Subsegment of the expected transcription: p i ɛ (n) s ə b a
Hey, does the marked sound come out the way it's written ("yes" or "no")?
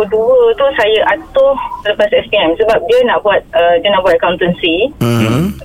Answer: no